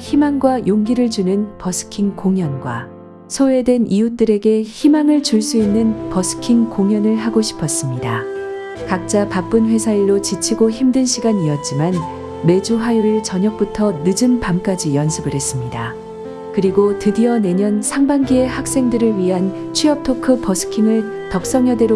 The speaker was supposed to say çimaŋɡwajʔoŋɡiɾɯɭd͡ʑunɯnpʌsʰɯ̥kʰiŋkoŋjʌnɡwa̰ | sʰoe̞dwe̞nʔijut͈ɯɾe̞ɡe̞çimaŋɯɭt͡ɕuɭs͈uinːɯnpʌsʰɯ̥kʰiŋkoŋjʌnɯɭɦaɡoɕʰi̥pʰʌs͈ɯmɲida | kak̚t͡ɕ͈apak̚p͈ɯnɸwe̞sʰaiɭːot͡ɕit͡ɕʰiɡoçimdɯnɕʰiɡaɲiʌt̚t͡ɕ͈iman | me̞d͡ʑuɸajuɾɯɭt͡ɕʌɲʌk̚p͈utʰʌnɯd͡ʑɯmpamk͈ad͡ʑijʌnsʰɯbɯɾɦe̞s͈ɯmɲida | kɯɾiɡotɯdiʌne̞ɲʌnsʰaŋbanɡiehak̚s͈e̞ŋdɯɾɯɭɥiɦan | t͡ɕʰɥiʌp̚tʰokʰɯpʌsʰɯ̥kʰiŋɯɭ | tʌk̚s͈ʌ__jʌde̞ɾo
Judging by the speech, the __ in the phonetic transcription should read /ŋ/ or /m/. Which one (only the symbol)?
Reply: ŋ